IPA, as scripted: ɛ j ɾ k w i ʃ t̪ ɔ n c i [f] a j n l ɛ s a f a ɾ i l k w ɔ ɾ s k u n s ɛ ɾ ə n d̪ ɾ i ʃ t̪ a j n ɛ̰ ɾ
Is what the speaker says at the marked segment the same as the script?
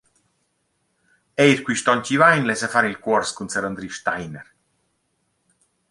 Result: no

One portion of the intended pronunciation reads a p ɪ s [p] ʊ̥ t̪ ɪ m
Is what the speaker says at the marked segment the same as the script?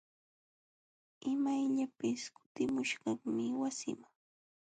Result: no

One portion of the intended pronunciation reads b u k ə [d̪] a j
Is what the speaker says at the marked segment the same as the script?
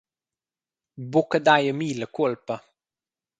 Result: yes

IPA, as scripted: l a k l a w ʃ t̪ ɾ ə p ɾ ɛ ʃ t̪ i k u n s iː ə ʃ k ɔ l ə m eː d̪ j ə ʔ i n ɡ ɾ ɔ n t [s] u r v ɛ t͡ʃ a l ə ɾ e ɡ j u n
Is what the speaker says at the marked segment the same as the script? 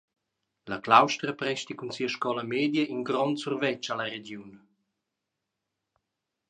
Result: yes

